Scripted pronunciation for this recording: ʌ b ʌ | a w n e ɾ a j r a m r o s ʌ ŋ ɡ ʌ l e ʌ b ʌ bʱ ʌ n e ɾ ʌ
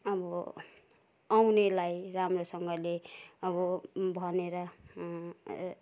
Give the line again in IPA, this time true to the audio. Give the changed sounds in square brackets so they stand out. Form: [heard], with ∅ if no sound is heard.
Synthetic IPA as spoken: ʌ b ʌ | a w n e [l] a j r a m r o s ʌ ŋ ɡ ʌ l e ʌ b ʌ bʱ ʌ n e ɾ ʌ